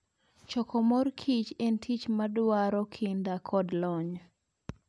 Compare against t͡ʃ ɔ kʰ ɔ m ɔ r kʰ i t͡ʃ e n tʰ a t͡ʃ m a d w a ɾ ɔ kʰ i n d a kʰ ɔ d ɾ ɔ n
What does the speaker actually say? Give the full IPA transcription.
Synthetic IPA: t͡ʃ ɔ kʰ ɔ m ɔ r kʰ i t͡ʃ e n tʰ i t͡ʃ m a d w a ɾ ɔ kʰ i n d a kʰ ɔ d l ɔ ɲ